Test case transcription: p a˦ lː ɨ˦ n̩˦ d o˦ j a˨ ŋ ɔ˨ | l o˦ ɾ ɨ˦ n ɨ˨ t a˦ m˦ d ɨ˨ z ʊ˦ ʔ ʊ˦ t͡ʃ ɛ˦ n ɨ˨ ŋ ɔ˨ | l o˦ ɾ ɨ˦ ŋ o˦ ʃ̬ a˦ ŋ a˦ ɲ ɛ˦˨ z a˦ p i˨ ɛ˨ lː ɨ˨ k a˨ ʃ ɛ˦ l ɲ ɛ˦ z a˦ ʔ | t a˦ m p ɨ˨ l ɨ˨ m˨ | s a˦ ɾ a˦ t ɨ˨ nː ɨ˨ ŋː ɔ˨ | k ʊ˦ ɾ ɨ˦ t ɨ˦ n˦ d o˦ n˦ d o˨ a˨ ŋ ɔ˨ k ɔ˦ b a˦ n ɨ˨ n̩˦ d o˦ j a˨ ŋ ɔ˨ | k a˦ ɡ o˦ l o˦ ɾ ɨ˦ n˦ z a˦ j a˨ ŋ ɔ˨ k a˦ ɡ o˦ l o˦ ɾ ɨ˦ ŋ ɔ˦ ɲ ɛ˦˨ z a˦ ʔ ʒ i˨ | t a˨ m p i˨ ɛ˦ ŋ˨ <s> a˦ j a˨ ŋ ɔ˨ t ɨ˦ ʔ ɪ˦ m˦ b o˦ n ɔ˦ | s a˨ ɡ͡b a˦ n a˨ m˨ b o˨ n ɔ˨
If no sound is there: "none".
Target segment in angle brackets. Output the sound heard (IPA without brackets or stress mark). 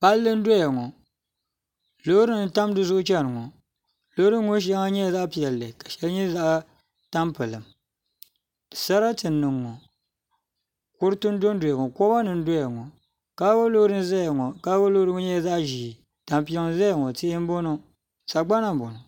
z